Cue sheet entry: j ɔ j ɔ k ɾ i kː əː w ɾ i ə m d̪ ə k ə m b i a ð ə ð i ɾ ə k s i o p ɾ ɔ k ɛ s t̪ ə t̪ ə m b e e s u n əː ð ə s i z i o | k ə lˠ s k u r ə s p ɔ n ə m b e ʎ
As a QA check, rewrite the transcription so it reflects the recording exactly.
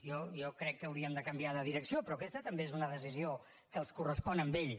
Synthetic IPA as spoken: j ɔ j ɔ k ɾ ɛ kː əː w ɾ i ə m d̪ ə k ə m b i a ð ə ð i ɾ ə k s i o p ɾ ɔ k ɛ s t̪ ə t̪ ə m b e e z u n ə ð ə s i z i o | k ə lˠ s k u r ə s p ɔ n ə m b e ʎ